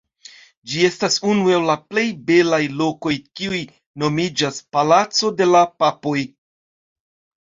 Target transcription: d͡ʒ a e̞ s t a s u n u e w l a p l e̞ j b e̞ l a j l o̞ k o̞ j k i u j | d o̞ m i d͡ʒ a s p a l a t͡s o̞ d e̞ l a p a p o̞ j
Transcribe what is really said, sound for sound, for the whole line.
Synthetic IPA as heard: d͡ʒ i e̞ s t a s u n u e w l a p l e̞ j b e̞ l a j l o̞ k o̞ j k i u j | n o̞ m i d͡ʒ a s p a l a t͡s o̞ d e̞ l a p a p o̞ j